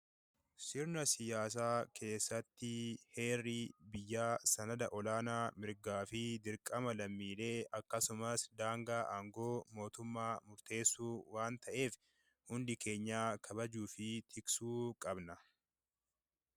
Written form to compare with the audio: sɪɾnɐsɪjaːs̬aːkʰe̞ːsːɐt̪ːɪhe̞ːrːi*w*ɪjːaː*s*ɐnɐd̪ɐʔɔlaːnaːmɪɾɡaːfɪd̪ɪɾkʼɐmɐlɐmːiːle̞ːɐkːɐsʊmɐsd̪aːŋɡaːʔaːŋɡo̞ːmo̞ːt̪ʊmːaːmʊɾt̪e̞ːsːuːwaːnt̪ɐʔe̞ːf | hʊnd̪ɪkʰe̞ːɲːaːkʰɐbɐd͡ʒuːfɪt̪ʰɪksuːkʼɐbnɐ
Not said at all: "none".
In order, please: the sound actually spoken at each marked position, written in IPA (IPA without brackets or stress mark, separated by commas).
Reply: b, s